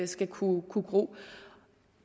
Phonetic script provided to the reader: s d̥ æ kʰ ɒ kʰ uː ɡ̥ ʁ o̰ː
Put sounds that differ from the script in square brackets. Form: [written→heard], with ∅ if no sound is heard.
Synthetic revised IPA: s [d̥→ɡ̥] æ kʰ [ɒ→u] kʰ [uː→u] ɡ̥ ʁ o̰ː